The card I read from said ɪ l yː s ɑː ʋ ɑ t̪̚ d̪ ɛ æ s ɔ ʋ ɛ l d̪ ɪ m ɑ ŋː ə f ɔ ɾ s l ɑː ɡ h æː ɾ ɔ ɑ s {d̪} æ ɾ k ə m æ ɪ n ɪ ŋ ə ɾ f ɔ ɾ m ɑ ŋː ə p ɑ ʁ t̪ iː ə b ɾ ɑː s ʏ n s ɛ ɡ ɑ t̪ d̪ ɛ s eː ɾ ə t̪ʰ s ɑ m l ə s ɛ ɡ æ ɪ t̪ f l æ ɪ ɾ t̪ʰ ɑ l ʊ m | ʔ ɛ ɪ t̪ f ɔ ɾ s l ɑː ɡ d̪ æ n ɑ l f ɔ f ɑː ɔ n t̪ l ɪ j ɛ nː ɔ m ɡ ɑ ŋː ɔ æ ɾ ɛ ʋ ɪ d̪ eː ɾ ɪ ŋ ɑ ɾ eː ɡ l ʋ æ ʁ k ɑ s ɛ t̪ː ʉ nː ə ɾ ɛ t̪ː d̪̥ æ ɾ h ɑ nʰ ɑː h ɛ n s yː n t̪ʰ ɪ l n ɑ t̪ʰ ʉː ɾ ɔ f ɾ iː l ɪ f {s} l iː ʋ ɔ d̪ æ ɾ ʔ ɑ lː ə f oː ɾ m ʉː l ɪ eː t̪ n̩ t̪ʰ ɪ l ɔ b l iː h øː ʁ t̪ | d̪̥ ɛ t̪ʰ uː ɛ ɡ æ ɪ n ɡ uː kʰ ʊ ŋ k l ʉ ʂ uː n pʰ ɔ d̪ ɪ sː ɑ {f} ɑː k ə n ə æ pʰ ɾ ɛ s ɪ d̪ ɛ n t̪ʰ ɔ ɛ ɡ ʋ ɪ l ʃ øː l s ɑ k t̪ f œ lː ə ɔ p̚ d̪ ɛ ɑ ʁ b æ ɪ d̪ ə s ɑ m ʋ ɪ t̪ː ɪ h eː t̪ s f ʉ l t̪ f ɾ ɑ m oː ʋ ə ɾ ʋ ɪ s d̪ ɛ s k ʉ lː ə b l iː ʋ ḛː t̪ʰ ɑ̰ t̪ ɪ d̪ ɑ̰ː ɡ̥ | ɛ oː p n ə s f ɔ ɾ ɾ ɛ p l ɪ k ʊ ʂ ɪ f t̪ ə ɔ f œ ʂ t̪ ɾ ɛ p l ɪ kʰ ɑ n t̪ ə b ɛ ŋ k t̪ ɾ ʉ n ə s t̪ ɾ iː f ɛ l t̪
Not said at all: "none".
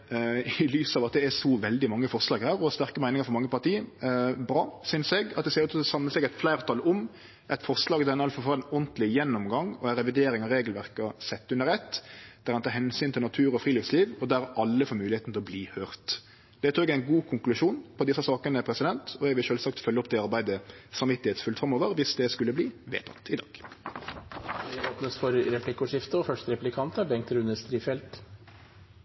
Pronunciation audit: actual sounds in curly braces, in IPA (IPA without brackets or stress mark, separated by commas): t̪, s, s